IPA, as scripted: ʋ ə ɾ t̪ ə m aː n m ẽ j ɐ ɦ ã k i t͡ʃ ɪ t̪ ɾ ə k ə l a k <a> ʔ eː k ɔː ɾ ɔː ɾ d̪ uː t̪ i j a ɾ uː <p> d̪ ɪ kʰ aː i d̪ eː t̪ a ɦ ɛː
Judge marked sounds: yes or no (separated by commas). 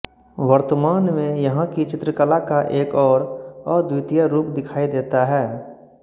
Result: yes, yes